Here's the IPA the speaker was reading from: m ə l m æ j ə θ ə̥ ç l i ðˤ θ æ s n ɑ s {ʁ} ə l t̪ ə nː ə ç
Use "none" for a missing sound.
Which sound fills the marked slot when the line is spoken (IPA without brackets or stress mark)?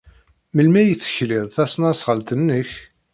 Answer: ʁ